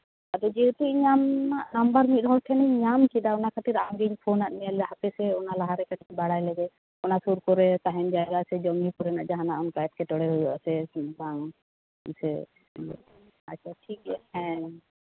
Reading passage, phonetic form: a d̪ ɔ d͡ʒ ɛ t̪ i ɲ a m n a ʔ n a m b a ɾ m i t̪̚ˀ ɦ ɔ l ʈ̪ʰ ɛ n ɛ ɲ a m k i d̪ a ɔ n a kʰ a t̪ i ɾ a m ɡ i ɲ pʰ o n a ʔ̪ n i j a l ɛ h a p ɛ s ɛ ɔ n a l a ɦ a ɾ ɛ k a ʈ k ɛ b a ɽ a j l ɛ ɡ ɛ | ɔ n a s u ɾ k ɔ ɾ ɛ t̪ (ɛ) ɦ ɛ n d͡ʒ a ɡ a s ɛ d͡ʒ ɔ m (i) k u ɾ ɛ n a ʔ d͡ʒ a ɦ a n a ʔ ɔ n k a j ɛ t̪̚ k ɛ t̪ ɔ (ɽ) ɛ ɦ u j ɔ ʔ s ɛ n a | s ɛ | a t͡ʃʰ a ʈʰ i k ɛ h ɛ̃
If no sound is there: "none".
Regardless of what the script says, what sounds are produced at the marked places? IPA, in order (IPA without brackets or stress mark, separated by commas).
a, i, ɽ